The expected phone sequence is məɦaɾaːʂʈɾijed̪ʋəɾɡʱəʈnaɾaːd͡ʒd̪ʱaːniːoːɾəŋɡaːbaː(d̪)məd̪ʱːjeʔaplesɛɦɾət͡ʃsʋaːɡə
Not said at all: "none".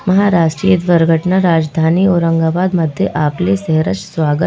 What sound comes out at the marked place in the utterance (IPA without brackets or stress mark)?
d̪